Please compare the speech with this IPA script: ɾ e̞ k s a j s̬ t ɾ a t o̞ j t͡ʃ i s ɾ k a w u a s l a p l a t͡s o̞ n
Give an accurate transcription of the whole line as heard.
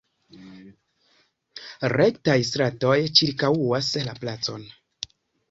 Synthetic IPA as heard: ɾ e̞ k t a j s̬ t ɾ a t o̞ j t͡ʃ i ɾ k a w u a s l a p l a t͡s o̞ n